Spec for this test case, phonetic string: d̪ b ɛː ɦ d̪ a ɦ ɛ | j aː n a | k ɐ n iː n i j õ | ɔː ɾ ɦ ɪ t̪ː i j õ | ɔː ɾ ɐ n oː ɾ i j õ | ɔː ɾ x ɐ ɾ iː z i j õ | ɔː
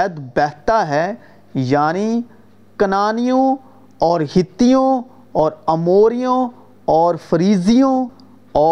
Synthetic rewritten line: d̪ b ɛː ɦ t̪ a ɦ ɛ | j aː n i | k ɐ n aː n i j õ | ɔː ɾ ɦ ɪ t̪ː i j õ | ɔː ɾ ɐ m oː ɾ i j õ | ɔː ɾ f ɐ ɾ iː z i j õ | ɔː